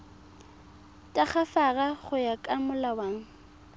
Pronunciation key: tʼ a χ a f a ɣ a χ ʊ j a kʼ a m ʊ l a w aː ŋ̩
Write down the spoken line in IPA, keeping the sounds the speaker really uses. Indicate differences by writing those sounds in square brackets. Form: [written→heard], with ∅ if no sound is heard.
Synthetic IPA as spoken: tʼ a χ a f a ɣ a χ ʊ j a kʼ a m ʊ l a w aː ŋ̩